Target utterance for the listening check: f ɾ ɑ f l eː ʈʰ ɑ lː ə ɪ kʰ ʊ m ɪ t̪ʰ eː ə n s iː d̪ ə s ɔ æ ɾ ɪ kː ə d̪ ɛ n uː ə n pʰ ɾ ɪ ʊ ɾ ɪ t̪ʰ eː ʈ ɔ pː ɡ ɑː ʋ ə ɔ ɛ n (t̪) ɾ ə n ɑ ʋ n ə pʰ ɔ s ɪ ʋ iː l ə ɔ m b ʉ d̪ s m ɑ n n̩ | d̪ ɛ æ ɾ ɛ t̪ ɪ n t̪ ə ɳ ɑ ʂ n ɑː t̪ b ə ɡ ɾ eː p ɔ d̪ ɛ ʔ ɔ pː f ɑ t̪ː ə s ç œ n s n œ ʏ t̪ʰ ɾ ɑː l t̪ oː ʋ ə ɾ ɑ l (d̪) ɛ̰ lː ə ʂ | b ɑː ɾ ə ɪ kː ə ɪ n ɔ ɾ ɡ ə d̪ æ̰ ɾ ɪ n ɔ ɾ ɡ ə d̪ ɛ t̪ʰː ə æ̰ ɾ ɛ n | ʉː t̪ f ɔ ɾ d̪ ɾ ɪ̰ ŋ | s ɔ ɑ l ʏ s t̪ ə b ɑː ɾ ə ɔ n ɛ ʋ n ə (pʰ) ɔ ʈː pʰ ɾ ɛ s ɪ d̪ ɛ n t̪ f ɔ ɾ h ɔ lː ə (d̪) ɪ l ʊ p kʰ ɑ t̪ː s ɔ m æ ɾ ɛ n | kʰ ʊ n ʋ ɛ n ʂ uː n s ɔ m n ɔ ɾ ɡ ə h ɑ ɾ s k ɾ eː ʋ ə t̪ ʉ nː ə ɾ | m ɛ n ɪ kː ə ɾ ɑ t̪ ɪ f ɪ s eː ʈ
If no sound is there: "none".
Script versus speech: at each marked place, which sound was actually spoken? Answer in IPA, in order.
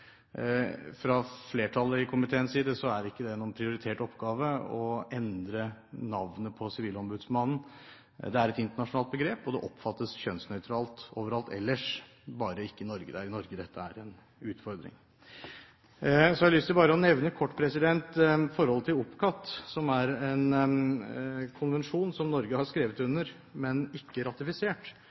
d̪, t̪, kʰ, t̪

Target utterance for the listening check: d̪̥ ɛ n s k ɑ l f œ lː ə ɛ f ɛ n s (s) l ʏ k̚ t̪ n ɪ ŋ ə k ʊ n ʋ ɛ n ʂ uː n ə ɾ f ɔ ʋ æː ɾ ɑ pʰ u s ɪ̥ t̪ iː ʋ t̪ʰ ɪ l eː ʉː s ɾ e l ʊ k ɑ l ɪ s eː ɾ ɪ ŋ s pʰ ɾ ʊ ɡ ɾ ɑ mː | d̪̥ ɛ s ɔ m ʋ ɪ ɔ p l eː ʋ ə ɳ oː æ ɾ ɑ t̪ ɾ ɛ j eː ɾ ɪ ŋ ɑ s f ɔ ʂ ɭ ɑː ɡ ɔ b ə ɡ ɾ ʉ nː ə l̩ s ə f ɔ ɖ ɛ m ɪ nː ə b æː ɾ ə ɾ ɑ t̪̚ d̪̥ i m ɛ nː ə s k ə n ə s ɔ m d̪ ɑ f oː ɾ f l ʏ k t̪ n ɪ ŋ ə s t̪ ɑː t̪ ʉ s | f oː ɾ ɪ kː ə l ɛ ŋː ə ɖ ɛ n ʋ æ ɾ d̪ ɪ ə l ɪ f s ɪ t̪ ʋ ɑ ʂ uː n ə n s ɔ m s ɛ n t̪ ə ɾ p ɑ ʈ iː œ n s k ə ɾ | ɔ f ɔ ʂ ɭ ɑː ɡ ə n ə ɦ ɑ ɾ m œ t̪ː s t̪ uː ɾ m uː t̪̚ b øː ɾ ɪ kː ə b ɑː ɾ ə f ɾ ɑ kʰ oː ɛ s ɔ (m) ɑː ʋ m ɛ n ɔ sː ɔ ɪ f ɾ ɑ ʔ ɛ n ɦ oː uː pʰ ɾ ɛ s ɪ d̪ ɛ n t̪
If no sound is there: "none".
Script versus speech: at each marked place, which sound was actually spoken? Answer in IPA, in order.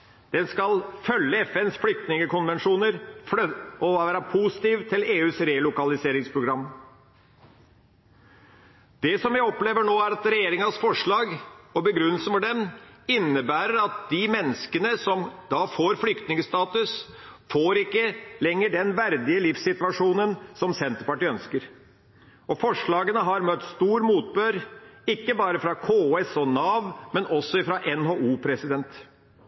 f, n

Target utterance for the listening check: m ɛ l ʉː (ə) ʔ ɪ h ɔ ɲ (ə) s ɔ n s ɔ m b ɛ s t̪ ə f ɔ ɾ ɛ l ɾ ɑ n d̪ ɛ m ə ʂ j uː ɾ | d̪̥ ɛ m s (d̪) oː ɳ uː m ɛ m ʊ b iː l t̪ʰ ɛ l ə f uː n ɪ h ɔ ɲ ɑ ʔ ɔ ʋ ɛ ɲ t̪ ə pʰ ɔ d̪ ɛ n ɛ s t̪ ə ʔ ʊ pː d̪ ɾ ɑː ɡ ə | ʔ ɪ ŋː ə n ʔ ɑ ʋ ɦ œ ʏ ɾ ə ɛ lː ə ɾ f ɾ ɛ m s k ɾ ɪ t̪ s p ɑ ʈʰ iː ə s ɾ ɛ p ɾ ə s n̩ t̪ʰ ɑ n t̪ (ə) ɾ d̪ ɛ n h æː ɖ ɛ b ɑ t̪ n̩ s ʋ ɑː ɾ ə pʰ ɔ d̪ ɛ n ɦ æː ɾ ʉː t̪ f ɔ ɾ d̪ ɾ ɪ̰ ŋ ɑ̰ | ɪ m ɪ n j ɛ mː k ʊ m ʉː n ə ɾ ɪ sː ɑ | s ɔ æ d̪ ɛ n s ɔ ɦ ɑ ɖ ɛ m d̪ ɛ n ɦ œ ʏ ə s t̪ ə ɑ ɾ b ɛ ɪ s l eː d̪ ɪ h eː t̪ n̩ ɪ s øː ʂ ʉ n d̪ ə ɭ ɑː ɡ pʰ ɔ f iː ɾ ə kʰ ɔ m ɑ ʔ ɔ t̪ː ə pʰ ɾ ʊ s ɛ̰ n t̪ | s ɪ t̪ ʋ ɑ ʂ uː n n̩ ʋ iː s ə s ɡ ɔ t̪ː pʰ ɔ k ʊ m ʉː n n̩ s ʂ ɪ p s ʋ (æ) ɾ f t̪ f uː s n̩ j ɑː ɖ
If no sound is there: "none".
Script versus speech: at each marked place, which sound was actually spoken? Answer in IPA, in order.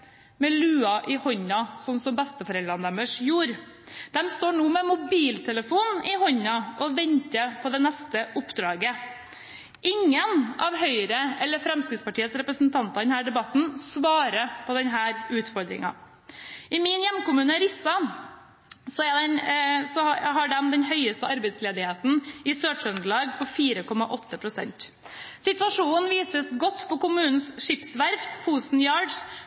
ɑ, ɑ, t̪, ɑ, æ

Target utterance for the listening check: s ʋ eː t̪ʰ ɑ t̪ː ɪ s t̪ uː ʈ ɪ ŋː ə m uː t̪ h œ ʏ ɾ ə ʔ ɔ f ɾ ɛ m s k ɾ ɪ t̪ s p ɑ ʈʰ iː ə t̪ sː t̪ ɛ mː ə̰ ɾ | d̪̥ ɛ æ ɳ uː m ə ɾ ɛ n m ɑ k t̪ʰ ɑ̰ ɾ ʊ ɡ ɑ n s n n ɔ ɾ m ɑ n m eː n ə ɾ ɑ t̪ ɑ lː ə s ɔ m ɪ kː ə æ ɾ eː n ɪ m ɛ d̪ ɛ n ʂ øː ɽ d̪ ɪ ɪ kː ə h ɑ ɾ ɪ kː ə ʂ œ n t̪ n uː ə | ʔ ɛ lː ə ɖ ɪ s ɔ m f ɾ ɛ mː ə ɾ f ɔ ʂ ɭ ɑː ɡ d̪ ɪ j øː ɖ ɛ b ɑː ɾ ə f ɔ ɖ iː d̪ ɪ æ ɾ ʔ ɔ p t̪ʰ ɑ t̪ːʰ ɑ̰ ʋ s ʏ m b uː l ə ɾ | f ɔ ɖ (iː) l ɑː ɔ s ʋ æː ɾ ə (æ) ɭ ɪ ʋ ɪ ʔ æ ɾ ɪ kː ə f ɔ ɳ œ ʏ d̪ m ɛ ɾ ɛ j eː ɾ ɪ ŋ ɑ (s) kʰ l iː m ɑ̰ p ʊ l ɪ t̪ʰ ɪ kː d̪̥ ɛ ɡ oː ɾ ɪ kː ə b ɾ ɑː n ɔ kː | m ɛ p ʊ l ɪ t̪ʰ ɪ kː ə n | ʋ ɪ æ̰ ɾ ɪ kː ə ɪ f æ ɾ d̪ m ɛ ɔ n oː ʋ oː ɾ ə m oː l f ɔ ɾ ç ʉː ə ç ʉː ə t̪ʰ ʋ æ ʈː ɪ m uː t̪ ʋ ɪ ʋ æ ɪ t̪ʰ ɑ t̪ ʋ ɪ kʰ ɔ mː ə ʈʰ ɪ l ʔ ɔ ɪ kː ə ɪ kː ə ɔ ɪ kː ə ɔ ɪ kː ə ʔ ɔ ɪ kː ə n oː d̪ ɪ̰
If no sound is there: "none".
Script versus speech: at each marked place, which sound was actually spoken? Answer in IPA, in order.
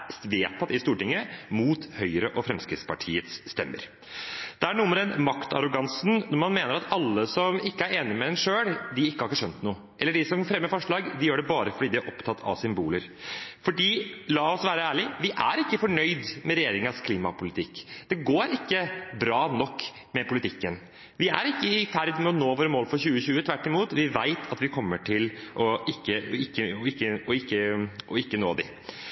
iː, æː, s

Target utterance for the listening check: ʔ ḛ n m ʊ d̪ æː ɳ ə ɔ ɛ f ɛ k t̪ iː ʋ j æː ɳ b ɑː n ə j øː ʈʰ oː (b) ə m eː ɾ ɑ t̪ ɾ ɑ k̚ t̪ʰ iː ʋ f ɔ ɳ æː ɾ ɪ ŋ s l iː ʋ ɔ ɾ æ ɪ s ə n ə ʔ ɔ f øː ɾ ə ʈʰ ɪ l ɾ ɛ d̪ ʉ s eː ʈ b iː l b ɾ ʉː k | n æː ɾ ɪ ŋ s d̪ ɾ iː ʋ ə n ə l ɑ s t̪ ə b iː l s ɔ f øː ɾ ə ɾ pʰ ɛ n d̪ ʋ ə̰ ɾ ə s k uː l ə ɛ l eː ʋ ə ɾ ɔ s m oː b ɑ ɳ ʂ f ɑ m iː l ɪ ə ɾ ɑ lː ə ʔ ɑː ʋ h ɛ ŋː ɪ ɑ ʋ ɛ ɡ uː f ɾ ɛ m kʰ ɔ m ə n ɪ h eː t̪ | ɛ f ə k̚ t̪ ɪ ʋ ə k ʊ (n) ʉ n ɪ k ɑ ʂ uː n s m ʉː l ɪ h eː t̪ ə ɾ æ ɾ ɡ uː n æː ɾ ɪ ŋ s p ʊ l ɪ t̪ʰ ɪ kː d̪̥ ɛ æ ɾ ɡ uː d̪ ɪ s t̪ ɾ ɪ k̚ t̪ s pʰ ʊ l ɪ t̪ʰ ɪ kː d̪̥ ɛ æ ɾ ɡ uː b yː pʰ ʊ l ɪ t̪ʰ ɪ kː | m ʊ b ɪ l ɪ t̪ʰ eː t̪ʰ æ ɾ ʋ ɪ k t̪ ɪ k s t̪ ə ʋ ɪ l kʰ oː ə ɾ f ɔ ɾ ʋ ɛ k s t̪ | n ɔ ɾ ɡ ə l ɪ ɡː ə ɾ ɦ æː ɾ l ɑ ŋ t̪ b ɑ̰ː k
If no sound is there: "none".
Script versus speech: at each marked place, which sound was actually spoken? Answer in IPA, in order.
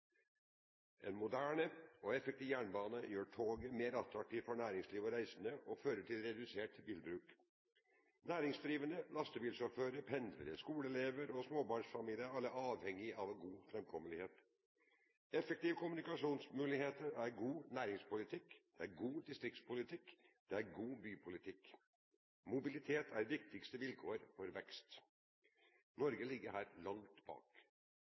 ɡ, m

